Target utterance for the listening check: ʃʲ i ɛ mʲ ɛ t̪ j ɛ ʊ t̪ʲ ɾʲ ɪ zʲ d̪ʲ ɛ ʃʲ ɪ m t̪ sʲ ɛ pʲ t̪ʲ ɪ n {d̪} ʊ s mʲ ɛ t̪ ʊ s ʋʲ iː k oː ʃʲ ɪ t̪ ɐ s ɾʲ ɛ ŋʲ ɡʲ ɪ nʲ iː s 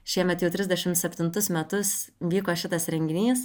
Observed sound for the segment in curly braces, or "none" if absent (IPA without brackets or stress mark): t̪